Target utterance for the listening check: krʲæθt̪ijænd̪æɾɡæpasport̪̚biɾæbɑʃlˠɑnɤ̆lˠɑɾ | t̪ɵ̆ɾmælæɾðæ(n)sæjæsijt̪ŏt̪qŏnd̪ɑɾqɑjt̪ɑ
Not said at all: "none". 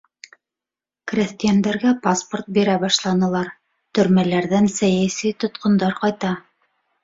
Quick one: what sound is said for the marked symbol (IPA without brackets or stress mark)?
n